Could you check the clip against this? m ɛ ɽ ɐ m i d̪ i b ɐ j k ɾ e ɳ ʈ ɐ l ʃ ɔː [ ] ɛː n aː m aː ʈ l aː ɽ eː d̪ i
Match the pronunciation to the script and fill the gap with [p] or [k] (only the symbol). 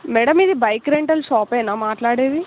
p